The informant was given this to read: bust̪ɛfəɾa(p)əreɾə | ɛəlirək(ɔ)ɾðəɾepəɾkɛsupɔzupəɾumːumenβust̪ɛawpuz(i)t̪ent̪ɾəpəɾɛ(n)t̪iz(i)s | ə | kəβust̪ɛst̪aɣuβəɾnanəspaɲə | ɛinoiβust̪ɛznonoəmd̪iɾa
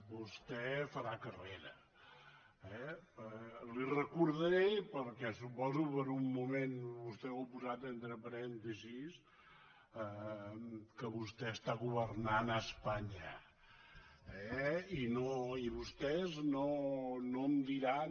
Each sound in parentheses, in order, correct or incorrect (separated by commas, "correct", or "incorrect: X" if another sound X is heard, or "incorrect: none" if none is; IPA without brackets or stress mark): incorrect: k, incorrect: u, incorrect: a, correct, correct